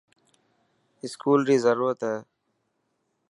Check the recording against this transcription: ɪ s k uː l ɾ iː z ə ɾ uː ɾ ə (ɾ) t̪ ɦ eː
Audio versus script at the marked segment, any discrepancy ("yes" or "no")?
yes